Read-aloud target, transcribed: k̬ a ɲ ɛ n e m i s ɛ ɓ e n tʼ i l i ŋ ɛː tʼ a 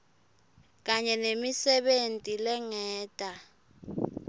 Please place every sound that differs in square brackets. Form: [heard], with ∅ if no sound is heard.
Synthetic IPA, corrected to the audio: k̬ a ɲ ɛ n e m i s ɛ ɓ e n tʼ i l [ɛ] ŋ ɛː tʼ a

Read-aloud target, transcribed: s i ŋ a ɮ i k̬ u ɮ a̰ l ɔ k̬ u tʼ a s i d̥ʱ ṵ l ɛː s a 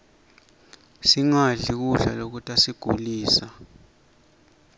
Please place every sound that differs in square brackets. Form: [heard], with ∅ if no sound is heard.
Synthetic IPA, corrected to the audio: s i ŋ a ɮ i k̬ u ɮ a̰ l [o] k̬ u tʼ a s i [ɡ̥ʱ] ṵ l [iː] s a

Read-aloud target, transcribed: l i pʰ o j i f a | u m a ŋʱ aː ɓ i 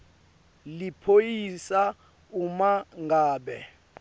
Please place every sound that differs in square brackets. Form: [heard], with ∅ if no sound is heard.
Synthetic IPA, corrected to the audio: l i pʰ o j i [s] a | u m a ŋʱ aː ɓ [ɛ]

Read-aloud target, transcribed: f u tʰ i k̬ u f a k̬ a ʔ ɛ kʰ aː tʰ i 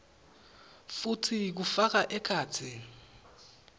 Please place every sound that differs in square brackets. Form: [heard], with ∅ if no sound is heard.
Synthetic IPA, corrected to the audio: f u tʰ i k̬ u f a k̬ a ʔ ɛ kʰ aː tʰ i

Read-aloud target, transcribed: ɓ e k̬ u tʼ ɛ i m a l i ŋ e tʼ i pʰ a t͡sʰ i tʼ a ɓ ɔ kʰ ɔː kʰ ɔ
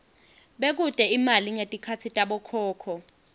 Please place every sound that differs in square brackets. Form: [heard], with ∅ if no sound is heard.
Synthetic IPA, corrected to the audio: ɓ e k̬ u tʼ ɛ i m a l i ŋ e tʼ i [kʰ] a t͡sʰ i tʼ a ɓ ɔ kʰ ɔː kʰ ɔ

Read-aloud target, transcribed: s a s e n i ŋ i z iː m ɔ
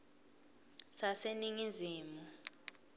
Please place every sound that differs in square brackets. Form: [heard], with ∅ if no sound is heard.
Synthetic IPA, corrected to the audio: s a s e n i ŋ i z iː m [u]

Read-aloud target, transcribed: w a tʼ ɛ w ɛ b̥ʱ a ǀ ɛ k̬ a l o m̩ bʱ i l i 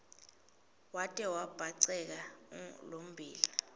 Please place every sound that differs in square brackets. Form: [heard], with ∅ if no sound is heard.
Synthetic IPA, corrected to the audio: w a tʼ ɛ w [a] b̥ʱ a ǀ ɛ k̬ a l o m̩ bʱ [iː] l i

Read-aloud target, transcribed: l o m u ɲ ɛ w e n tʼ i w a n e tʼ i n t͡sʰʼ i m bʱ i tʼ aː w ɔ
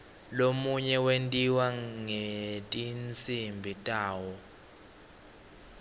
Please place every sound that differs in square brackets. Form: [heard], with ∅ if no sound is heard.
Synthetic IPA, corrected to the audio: l o m u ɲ ɛ w e n tʼ i w a [ŋ] e tʼ i n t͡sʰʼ i m bʱ i tʼ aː w ɔ

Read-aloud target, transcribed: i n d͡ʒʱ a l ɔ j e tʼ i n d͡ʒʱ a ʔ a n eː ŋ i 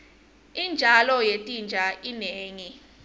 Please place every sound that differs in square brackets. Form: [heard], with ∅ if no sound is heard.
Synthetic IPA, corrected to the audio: i n d͡ʒʱ a l ɔ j e tʼ i n d͡ʒʱ a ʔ [i] n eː ŋ i

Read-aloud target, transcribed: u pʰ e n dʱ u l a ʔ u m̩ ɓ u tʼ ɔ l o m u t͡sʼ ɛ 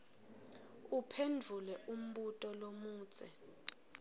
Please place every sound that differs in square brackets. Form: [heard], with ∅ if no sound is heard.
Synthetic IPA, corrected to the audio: u pʰ e n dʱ u l [ɛ] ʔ u m̩ ɓ u tʼ ɔ l o m [uː] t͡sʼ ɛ

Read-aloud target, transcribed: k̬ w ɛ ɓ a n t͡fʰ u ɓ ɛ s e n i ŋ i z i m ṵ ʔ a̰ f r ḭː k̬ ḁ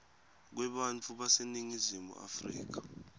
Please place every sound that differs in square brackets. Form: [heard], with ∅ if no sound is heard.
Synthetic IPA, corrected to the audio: k̬ w ɛ ɓ a n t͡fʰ u ɓ [a] s e n i ŋ i z i m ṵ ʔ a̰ f r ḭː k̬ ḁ

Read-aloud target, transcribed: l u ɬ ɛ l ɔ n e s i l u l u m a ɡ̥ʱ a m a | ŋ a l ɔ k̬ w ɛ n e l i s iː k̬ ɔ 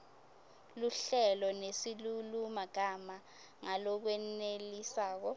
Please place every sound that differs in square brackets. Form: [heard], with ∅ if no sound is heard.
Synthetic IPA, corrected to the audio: l u ɬ ɛ l ɔ n e s i l u l u m a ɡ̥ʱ a m a | ŋ a l ɔ k̬ w ɛ n e l i s [aː] k̬ ɔ

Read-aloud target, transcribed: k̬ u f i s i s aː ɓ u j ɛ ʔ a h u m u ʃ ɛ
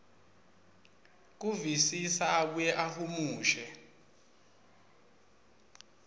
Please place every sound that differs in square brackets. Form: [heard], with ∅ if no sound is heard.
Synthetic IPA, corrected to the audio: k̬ u [v] i s i s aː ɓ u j ɛ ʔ a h u m [uː] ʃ ɛ

